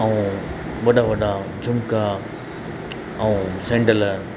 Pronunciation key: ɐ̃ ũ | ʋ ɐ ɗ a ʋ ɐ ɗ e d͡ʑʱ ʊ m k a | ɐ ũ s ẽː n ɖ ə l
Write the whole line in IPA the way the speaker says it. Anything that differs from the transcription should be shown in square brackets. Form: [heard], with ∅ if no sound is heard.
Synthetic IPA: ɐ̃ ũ | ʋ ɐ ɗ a ʋ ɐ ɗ [a] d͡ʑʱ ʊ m k a | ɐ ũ s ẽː [ɳ] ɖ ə l